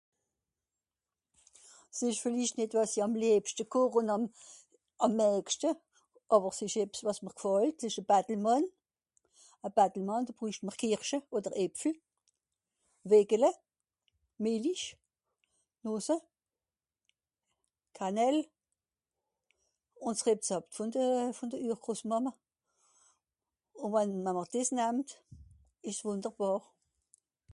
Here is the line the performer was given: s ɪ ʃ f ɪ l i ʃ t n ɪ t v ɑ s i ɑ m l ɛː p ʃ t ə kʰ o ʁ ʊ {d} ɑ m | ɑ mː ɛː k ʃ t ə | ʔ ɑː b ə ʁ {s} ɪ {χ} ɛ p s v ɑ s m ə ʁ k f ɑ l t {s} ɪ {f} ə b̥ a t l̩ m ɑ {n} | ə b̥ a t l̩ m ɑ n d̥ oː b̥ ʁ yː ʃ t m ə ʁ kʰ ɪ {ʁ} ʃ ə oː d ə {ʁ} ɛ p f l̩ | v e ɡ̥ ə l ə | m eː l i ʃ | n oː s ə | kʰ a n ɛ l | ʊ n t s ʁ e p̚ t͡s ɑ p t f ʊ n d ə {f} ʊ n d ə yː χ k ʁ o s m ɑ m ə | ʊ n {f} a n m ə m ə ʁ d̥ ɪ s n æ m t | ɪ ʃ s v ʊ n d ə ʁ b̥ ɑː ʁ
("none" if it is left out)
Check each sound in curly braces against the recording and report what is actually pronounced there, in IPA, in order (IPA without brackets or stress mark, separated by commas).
n, s, ʃ, s, ʃ, n, ʁ, ʁ, f, v